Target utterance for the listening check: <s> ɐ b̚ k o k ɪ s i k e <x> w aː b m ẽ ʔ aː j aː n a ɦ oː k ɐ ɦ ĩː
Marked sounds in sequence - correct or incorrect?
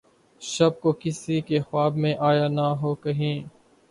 incorrect: ʃ, correct

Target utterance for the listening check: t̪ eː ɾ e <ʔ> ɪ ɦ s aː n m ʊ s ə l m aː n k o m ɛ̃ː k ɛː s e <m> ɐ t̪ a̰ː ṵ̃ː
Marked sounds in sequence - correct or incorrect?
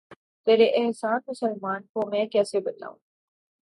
correct, incorrect: b

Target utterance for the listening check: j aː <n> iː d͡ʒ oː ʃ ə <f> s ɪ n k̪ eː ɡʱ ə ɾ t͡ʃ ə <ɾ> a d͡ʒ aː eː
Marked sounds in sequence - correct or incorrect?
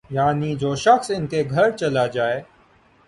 correct, incorrect: x, incorrect: l

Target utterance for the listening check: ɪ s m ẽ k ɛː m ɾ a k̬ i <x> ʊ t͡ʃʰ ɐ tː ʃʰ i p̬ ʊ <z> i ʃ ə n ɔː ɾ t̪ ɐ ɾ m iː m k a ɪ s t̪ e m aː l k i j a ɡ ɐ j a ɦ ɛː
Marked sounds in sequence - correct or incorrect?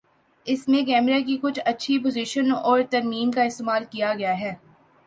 incorrect: k, correct

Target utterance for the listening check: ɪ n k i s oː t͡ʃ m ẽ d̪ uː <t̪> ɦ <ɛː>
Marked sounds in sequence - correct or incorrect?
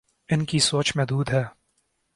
incorrect: d̪, correct

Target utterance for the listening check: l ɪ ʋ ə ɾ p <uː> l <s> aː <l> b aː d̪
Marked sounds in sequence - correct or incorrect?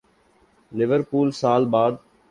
correct, correct, correct

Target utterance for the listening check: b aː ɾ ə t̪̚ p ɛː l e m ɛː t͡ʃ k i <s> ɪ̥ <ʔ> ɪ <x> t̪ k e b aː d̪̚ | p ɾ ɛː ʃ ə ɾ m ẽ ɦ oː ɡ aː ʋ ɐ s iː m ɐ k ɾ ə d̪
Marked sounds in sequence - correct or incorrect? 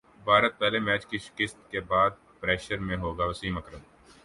incorrect: ʃ, incorrect: k, incorrect: s

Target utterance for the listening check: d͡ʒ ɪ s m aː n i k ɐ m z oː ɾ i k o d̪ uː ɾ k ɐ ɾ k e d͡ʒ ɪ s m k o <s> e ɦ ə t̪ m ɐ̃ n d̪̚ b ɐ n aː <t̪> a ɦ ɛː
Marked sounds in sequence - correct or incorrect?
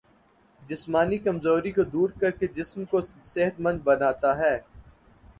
correct, correct

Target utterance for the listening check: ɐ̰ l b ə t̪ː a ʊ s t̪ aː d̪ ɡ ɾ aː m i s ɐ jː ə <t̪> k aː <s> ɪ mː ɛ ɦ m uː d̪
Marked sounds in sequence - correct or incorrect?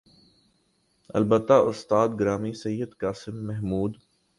incorrect: d̪, correct

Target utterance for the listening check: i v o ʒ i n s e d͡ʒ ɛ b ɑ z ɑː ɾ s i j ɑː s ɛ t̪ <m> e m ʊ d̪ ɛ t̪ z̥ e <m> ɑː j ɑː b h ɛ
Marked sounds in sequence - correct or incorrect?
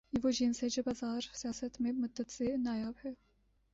correct, incorrect: n

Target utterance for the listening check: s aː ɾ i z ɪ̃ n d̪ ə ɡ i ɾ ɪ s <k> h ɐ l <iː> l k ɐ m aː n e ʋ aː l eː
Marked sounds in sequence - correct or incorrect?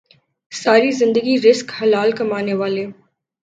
correct, incorrect: aː

